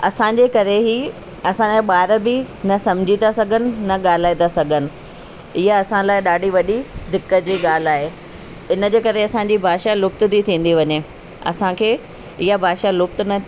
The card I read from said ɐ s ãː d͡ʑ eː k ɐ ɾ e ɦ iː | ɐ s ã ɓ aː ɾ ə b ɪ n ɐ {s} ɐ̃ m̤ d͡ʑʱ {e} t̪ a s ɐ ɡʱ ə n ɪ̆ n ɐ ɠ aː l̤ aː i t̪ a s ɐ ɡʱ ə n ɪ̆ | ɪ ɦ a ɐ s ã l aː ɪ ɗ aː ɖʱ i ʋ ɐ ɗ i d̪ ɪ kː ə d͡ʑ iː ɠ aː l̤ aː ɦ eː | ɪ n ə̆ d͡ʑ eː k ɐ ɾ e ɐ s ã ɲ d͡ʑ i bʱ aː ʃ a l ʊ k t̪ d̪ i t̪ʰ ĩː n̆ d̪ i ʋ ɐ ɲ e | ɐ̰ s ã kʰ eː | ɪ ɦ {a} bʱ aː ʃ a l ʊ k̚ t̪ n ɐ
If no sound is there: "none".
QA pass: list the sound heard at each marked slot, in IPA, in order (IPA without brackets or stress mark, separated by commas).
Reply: s, i, a